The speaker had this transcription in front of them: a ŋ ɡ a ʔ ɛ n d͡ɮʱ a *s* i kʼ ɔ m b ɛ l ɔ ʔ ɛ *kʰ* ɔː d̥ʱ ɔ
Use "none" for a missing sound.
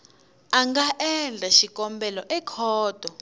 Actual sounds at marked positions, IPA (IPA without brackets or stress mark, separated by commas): ʃ, kʰ